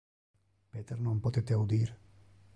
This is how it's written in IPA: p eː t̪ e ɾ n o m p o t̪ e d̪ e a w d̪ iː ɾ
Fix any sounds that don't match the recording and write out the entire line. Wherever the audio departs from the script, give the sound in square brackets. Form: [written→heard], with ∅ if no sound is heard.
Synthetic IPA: p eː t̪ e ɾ n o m p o t̪ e [d̪→t̪] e a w d̪ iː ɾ